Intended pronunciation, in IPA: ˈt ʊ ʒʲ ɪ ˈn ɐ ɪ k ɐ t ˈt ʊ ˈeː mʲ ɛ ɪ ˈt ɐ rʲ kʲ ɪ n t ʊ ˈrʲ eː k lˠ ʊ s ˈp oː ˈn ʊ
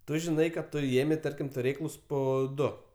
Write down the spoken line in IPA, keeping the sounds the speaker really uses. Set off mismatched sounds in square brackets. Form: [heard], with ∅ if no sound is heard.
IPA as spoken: ˈt ʊ ʒʲ ɪ ˈn ɐ ɪ k ɐ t ˈt ʊ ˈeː mʲ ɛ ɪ ˈt ɐ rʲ kʲ ɪ [m] t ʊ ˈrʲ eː k lˠ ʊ s ˈp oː [ˈd] ʊ